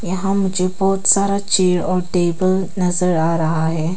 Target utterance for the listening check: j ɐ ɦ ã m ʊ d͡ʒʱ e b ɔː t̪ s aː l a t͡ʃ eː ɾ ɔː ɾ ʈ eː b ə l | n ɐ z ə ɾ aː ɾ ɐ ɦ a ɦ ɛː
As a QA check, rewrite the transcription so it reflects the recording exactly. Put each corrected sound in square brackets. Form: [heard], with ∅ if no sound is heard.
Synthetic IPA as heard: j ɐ ɦ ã m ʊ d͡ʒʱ e b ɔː t̪ s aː [ɾ] a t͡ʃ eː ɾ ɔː ɾ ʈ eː b ə l | n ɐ z ə ɾ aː ɾ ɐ ɦ a ɦ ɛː